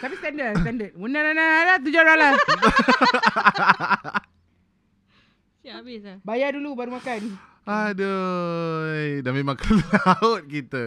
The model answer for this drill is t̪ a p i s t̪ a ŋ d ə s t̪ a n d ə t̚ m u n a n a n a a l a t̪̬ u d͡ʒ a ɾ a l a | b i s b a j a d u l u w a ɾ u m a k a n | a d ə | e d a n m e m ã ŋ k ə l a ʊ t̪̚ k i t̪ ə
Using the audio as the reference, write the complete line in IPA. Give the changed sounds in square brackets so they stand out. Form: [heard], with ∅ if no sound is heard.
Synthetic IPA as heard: t̪ a p i s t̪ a [n] d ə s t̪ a n d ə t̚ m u n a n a n a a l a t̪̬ u d͡ʒ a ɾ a l a | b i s b a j a d u l u [b] a ɾ u m a k a n | a d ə | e d a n m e m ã ŋ k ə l a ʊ t̪̚ k i t̪ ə